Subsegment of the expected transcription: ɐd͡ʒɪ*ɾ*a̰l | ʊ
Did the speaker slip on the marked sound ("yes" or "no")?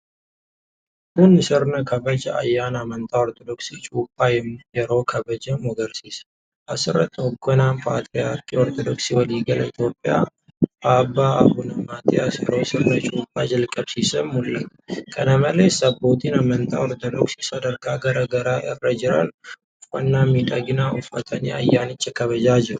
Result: no